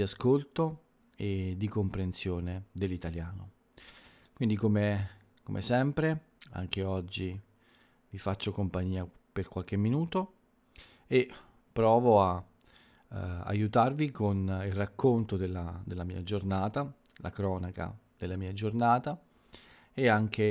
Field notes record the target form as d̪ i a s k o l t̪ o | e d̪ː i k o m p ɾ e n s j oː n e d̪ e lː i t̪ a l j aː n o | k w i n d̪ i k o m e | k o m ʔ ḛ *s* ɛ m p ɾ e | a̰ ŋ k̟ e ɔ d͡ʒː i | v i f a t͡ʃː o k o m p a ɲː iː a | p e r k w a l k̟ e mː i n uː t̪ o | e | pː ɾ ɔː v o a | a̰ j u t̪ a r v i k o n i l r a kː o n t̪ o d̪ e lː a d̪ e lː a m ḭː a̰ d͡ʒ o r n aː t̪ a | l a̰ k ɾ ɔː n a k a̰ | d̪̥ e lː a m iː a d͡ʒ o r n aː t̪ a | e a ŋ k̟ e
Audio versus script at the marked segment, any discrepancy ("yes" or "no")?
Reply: no